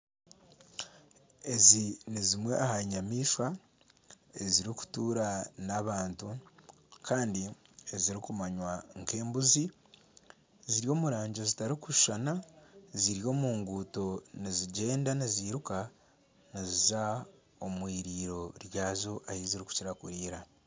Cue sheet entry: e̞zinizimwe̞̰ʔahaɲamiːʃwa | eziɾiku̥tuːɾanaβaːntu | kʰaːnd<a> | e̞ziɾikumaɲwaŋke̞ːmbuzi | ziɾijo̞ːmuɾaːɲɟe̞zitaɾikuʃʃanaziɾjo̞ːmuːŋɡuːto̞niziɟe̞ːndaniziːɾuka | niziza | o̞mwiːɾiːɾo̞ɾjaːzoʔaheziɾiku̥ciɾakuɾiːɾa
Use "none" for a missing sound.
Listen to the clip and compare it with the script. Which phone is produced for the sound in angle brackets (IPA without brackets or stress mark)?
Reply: i